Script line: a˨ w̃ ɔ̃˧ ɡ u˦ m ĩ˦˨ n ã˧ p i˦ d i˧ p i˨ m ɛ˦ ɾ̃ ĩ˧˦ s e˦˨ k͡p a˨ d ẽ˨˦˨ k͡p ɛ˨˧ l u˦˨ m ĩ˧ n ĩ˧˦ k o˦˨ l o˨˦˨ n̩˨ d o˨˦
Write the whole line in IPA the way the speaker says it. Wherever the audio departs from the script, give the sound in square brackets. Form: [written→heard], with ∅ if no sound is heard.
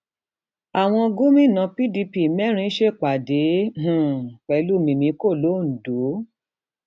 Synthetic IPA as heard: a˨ w̃ ɔ̃˧ ɡ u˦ m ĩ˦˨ n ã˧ p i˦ d i˧ p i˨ m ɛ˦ ɾ̃ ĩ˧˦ [s→ʃ] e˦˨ k͡p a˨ d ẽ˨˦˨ k͡p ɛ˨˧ l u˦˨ m ĩ˧ [n→m] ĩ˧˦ k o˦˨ l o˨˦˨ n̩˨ d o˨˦